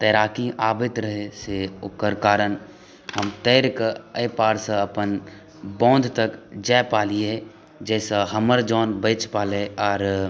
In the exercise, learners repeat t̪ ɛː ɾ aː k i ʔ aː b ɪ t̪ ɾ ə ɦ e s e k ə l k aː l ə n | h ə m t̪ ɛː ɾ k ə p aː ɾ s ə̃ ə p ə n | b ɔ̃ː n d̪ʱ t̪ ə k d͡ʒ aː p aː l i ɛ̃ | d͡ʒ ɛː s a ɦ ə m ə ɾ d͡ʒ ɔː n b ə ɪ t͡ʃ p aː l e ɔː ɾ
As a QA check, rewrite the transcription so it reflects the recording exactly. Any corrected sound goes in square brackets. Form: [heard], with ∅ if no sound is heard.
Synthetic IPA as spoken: t̪ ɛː ɾ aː k i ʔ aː b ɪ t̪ ɾ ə ɦ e s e k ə [ɾ] k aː [ɾ] ə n | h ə m t̪ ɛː ɾ k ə p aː ɾ s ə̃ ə p ə n | b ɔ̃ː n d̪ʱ t̪ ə k d͡ʒ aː p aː l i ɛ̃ | d͡ʒ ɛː s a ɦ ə m ə ɾ d͡ʒ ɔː n b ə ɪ t͡ʃ p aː l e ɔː ɾ